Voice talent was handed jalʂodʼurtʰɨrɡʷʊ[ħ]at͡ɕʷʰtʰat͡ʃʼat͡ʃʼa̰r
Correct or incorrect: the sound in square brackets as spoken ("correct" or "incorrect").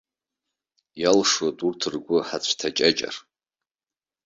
correct